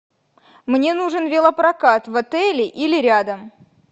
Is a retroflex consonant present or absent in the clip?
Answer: present